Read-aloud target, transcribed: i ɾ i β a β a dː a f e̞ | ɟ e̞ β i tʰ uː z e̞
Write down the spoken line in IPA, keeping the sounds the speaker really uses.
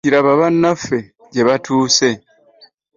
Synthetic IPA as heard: i ɾ a β a β a nː a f e̞ | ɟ e̞ β a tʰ uː s e̞